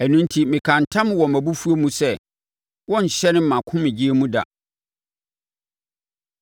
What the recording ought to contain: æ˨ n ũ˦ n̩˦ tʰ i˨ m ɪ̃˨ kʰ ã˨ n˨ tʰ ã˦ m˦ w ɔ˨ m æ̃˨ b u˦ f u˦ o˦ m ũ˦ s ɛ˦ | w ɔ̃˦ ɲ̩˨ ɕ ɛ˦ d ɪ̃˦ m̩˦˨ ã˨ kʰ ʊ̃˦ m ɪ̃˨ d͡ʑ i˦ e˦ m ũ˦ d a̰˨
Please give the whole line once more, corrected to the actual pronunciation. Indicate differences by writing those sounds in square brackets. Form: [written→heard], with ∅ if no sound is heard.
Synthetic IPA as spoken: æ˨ n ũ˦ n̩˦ tʰ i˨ m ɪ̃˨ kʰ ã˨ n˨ tʰ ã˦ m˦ w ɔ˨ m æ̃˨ b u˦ f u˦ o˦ m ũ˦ s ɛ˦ | w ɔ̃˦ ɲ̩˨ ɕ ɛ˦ [d→n] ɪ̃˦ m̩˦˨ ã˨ kʰ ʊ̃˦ m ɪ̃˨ d͡ʑ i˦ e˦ m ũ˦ d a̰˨